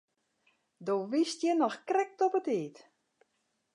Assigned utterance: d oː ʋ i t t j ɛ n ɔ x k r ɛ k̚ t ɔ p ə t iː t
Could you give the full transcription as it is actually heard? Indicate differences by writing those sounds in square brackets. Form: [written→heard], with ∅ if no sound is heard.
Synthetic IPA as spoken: d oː ʋ i [t→s] t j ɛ n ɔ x k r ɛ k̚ t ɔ p ə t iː t